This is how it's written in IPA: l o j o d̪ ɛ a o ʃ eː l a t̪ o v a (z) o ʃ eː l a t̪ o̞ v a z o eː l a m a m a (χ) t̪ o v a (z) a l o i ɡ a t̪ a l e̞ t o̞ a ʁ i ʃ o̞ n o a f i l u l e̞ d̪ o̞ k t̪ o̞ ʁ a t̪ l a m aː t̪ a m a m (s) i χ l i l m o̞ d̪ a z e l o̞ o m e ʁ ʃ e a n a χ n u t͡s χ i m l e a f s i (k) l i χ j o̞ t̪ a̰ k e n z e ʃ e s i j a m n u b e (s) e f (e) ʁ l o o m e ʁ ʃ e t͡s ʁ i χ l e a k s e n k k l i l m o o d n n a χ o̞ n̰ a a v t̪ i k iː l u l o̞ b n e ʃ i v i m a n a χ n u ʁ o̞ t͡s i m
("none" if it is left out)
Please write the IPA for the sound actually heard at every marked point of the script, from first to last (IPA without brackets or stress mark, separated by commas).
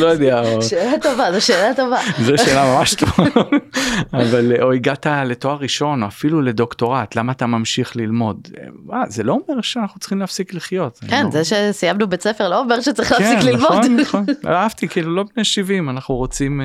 z, ʃ, v, ʃ, k, t͡s, e